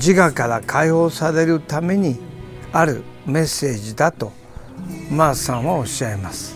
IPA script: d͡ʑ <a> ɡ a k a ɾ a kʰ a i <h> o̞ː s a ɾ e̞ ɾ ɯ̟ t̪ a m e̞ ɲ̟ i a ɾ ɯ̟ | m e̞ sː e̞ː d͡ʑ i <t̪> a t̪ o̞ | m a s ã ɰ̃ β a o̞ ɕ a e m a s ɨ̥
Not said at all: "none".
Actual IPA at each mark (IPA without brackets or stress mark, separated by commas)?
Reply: i, h, d̪